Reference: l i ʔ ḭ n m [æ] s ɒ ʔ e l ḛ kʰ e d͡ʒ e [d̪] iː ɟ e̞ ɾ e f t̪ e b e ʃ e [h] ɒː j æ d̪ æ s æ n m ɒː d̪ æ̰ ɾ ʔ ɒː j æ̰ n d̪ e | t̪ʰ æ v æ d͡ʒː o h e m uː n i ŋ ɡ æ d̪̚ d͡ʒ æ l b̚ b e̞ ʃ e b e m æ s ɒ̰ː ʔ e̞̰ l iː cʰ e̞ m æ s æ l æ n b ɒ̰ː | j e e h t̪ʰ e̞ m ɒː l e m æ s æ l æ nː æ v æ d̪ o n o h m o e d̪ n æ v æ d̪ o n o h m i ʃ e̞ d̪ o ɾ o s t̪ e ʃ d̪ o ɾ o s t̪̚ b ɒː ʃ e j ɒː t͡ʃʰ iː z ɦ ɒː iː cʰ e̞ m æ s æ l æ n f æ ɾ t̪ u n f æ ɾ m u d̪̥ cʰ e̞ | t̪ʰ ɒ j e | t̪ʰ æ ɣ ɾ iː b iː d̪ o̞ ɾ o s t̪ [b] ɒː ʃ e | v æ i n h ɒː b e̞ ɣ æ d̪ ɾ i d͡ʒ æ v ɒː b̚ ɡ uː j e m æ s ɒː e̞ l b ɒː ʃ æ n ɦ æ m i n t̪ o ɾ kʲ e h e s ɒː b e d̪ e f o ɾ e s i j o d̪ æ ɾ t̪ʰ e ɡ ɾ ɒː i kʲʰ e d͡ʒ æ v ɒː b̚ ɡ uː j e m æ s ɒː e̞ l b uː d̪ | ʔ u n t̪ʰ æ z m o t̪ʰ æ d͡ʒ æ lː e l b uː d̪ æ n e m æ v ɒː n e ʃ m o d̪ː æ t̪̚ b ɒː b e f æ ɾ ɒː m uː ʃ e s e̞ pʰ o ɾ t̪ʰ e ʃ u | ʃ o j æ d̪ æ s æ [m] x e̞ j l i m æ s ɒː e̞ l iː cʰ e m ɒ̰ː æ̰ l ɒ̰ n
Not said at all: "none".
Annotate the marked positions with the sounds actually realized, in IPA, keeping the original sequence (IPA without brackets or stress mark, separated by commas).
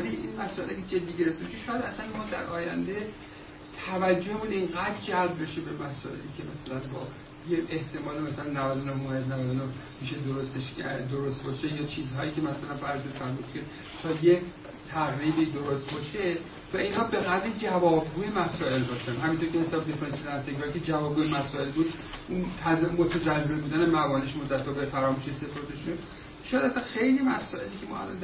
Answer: æ, d̪ː, ʃ, b, n